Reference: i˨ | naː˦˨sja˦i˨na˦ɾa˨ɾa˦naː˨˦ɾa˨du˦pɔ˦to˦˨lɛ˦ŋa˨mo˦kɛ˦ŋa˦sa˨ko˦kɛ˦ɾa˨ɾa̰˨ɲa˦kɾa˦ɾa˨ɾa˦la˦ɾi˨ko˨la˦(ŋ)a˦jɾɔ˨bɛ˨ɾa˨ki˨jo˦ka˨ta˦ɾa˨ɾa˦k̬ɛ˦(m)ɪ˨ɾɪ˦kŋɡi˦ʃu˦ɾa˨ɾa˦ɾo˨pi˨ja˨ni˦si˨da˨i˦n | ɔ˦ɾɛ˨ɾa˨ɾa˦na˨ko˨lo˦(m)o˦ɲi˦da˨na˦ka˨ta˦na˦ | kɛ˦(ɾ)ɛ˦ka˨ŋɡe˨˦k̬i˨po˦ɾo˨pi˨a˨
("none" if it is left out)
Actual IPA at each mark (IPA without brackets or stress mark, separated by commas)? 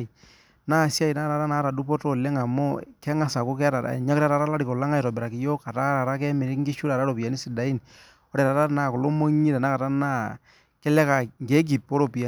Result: ŋ, m, m, l